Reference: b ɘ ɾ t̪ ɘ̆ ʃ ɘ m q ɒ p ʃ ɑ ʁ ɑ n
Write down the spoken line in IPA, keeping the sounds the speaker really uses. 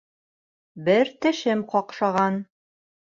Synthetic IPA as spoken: b ɘ ɾ t̪ ɘ̆ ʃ ɘ m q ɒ q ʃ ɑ ʁ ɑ n